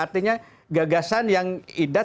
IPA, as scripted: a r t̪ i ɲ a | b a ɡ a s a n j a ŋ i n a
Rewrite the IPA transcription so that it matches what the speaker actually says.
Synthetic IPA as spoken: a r t̪ i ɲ a | ɡ a ɡ a s a n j a ŋ i d a